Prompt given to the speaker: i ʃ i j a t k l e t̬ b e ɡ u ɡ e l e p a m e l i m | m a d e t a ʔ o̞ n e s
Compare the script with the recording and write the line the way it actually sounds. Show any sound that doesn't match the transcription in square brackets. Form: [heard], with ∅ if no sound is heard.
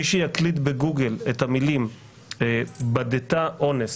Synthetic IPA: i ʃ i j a [∅] k l [i] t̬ b e ɡ u ɡ e l e [t] a m [i] l i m | [b] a d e t a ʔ o̞ n e s